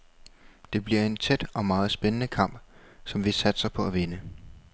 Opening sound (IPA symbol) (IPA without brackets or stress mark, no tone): d̥